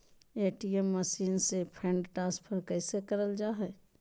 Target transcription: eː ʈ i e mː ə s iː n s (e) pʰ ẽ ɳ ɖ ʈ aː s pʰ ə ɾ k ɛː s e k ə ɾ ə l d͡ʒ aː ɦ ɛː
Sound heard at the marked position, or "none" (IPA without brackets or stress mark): e